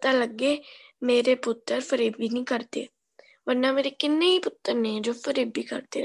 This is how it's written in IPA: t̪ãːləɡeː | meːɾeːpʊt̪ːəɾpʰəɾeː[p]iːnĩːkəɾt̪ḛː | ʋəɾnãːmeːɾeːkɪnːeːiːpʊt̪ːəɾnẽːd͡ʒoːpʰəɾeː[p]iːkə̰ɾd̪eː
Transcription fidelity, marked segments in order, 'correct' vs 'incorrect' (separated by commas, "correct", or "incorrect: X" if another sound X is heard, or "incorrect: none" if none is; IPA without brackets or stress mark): incorrect: b, incorrect: b